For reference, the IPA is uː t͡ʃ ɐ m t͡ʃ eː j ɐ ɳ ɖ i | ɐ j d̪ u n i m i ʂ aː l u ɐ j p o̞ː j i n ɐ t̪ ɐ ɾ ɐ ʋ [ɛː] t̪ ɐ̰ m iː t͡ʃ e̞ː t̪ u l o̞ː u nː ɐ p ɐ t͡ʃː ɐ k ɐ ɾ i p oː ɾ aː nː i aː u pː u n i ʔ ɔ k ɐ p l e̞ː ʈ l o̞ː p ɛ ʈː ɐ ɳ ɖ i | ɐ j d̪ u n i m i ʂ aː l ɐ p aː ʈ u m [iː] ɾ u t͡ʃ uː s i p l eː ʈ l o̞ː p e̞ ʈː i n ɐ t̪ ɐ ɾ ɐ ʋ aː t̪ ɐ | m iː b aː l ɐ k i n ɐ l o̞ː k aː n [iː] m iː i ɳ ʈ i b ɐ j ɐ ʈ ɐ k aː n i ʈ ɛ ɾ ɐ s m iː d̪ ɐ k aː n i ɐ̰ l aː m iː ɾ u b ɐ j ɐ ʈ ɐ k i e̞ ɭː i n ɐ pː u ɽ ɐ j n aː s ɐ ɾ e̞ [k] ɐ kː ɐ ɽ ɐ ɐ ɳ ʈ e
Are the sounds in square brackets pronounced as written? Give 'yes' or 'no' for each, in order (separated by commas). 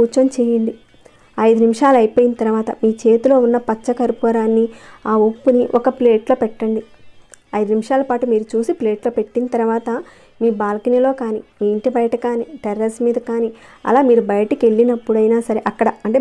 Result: no, yes, no, no